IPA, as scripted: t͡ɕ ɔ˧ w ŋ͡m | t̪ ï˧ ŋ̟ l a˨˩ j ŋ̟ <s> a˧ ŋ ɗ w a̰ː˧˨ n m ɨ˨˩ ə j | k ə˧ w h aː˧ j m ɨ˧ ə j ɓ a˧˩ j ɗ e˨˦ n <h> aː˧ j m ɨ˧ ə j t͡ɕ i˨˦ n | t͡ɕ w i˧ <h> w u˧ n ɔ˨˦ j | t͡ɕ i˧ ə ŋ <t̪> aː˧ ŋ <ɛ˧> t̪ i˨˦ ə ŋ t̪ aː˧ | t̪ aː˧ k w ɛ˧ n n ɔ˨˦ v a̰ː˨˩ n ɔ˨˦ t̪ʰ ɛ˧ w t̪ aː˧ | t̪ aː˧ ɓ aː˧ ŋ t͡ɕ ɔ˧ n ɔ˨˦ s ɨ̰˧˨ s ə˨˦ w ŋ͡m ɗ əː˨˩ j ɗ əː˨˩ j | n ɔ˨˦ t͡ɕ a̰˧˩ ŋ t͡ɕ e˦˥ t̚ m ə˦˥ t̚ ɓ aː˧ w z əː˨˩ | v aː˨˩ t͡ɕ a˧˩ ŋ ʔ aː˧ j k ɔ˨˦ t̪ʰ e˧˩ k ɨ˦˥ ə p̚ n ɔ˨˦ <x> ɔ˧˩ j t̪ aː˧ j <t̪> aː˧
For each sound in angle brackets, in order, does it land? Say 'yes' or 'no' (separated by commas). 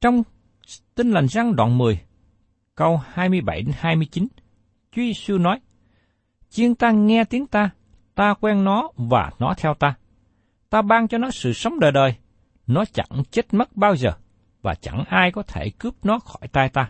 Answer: no, yes, no, yes, yes, yes, yes